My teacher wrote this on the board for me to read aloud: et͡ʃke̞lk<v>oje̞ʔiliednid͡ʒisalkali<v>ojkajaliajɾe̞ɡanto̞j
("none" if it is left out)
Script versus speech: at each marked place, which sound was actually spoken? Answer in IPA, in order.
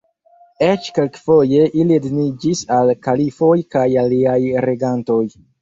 f, f

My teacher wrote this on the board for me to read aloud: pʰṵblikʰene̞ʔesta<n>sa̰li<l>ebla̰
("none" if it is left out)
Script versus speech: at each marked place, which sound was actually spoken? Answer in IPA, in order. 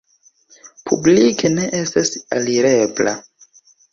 none, ɾ

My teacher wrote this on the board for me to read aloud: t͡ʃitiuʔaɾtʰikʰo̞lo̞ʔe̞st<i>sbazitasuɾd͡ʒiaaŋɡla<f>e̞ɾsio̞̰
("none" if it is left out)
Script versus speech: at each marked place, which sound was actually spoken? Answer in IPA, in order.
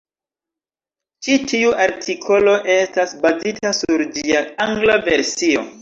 a, v

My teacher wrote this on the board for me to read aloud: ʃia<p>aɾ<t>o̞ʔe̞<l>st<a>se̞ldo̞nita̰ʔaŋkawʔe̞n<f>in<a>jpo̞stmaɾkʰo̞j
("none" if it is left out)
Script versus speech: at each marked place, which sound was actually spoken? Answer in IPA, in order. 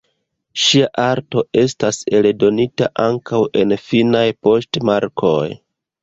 ʔ, t, none, a, f, a

